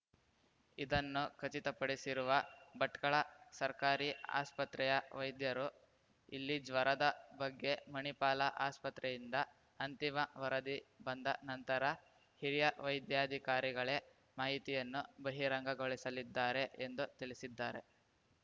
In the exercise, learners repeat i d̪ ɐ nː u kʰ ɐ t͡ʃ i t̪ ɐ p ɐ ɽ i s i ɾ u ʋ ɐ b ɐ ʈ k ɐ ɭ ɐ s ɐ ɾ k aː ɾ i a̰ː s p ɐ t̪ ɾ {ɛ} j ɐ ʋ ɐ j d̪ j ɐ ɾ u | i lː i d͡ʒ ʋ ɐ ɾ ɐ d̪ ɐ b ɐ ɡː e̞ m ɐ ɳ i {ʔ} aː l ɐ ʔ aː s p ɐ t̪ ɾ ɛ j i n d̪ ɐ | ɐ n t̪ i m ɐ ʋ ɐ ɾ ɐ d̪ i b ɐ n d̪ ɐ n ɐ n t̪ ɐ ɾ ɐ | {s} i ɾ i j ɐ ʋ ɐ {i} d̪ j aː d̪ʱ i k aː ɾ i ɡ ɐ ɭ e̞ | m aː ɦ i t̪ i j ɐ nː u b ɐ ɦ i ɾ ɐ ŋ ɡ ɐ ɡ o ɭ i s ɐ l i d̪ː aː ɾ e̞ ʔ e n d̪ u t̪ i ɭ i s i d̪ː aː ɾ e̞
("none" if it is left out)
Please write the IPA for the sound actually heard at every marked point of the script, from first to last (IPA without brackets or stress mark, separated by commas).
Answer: ɛ, p, h, j